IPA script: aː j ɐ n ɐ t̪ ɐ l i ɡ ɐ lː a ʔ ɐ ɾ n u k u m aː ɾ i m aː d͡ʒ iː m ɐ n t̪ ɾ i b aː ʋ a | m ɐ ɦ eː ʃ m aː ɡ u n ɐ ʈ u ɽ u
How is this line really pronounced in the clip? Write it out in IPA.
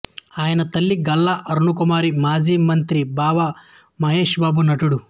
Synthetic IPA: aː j ɐ n ɐ t̪ ɐ lː i ɡ ɐ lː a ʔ ɐ ɾ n u k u m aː ɾ i m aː d͡ʒ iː m ɐ n t̪ ɾ i b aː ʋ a | m ɐ ɦ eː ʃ b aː b u n ɐ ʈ u ɽ u